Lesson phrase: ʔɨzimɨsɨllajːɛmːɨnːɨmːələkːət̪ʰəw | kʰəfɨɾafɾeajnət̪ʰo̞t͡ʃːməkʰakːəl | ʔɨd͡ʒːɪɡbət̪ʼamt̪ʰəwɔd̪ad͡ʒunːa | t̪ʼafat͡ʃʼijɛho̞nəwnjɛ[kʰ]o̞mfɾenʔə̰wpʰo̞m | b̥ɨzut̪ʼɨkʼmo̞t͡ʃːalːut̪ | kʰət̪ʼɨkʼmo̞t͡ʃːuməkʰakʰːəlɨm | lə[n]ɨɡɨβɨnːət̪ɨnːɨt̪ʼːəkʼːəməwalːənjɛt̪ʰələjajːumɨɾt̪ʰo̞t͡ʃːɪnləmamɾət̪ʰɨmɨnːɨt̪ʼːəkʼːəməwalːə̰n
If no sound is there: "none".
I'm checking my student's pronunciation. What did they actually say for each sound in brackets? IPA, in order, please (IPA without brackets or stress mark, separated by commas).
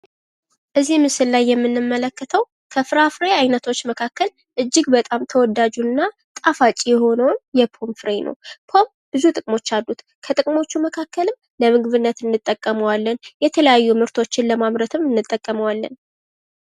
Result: pʰ, m